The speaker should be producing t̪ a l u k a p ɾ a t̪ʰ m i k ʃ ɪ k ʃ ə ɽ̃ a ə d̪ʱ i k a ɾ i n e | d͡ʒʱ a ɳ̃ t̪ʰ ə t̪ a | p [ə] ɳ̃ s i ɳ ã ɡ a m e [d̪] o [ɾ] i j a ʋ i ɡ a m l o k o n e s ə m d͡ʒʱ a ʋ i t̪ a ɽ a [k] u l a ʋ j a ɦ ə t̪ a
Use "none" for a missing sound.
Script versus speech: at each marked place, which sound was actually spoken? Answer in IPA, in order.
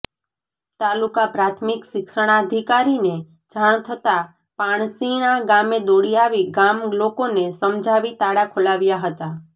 a, d̪, ɽ, kʰ

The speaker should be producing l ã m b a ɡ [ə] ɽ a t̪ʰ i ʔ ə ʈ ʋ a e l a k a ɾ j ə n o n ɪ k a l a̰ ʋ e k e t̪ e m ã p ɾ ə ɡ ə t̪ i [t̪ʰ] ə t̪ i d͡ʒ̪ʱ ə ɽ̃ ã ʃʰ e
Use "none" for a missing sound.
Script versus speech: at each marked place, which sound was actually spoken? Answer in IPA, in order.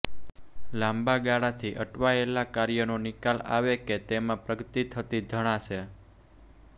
a, t̪ʰ

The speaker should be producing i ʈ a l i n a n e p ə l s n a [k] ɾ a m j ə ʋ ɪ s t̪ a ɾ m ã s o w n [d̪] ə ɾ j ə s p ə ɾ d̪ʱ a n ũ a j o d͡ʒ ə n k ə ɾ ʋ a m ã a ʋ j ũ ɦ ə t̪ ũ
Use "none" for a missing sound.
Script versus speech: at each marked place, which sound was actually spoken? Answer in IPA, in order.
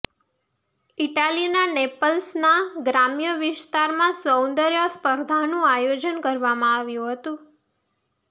ɡ, d̪

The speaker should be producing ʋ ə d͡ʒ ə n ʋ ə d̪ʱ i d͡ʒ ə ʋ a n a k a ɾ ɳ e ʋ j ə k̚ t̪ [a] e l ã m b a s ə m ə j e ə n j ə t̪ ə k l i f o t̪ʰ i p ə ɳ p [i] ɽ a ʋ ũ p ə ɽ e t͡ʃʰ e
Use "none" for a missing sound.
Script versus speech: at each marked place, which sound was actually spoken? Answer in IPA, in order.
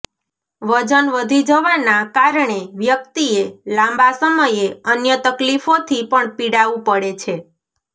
i, i

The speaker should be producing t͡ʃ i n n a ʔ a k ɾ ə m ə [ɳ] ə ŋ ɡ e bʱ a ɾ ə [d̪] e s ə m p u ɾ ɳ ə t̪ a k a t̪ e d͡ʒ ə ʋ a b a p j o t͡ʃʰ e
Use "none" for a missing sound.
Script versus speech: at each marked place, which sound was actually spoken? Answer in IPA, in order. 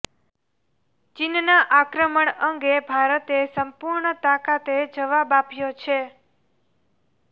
ɳ, t̪

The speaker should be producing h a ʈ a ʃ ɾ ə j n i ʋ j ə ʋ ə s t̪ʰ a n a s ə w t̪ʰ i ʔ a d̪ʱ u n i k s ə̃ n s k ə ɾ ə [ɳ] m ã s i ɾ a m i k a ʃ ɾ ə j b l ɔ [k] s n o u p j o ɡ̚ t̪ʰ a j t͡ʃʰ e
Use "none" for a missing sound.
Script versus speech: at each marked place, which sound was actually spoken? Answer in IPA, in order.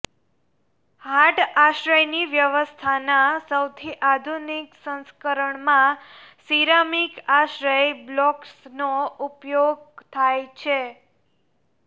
ɳ, k

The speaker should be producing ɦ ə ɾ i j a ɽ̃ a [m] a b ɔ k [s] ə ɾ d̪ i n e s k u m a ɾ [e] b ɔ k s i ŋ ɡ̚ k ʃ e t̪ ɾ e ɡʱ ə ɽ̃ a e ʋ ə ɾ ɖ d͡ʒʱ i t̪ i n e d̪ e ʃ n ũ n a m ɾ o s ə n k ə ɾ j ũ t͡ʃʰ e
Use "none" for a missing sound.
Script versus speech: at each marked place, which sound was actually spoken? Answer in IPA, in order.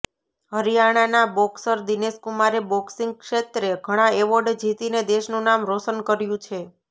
n, s, e

